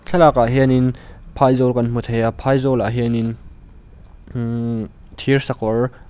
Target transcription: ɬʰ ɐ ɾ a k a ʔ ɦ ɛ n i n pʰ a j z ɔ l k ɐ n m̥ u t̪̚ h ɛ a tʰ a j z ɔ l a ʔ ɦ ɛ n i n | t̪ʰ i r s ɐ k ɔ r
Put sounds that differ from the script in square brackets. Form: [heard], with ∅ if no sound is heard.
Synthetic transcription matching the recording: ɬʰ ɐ [l] a k a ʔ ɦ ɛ n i n pʰ a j z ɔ l k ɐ n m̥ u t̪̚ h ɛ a [pʰ] a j z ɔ l a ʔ ɦ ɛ n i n | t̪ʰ i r s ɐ k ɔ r